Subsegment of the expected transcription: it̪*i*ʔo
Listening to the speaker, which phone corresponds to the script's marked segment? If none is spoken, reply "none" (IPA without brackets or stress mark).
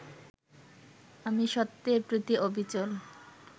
i